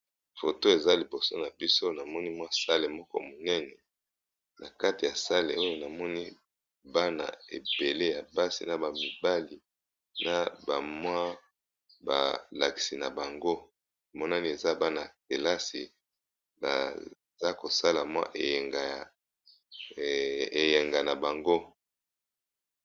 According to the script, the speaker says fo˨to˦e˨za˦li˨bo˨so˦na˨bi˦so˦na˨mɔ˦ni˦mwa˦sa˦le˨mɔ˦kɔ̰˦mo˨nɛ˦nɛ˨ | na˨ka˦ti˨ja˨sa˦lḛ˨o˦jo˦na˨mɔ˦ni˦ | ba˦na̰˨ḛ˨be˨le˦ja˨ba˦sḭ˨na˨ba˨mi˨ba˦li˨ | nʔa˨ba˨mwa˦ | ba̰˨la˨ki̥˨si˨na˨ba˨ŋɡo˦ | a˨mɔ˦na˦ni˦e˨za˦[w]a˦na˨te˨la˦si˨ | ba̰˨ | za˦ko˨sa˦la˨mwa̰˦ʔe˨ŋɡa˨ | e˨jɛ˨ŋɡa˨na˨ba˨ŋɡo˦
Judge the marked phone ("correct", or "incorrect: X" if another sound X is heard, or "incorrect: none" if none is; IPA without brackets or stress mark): incorrect: b